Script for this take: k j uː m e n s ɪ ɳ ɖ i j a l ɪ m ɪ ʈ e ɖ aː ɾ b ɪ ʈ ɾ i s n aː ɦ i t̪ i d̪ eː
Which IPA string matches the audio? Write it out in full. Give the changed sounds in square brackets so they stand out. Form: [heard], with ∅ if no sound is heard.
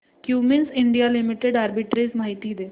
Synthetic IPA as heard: k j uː m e n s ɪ ɳ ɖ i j a l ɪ m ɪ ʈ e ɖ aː ɾ b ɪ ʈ ɾ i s [m] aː ɦ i t̪ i d̪ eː